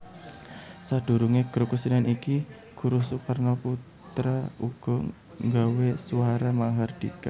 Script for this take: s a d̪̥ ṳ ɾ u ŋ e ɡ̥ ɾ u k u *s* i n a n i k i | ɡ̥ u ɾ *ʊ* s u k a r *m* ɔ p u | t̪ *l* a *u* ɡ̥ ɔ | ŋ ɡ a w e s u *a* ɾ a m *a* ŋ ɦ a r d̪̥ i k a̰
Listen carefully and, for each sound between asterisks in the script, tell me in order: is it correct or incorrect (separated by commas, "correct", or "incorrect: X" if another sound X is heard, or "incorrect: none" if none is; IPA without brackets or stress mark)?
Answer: correct, incorrect: u, incorrect: n, incorrect: ɾ, correct, correct, correct